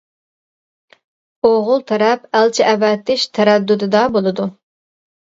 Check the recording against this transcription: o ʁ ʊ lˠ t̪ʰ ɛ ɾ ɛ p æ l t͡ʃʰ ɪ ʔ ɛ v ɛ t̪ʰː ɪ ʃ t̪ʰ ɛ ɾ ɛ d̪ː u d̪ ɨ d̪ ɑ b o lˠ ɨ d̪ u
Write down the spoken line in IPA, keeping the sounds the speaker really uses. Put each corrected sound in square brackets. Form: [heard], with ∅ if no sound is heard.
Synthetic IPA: o ʁ ʊ lˠ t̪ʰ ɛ ɾ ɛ p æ l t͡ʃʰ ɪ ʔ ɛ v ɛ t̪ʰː ɪ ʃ t̪ʰ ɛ ɾ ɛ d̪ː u d̪ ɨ d̪ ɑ b o lˠ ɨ d̪ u